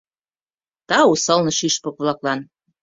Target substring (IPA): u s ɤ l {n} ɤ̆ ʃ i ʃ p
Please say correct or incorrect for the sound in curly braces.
correct